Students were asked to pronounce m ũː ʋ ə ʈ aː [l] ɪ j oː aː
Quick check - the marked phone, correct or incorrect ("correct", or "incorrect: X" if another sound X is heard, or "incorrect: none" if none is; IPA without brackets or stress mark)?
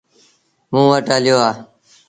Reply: correct